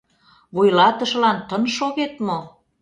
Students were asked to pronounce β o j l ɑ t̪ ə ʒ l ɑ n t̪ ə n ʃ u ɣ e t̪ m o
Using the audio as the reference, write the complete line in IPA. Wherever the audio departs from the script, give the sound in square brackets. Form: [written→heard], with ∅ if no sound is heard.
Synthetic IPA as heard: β [o→u] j l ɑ t̪ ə [ʒ→ʃ] l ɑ n t̪ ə n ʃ [u→o] ɣ e t̪ m o